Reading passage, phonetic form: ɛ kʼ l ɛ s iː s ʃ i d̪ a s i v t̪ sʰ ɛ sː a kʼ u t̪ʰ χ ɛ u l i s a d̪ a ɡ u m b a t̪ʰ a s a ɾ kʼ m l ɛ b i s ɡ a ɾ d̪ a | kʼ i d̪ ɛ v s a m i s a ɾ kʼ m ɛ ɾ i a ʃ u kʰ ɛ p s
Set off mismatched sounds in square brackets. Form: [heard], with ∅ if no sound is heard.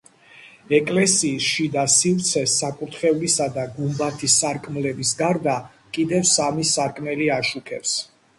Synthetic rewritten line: ɛ kʼ l ɛ s iː s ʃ i d̪ a s i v t̪ sʰ ɛ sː a kʼ u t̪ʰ χ ɛ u l i s a d̪ a ɡ u m b a t̪ʰ [i] s a ɾ kʼ m l ɛ b i s ɡ a ɾ d̪ a | kʼ i d̪ ɛ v s a m i s a ɾ kʼ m ɛ [l] i a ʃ u kʰ ɛ p s